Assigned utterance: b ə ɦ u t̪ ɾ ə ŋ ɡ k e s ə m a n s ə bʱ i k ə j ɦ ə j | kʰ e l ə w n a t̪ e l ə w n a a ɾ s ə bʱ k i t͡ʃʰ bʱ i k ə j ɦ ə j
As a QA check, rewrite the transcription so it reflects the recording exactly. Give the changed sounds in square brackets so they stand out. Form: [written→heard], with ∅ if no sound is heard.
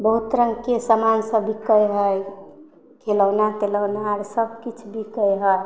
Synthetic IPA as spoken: b ə ɦ u t̪ ɾ ə ŋ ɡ k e s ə m a n s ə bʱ i k ə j ɦ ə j | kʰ e l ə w n a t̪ e l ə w n a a ɾ s ə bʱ k i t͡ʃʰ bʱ i k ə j ɦ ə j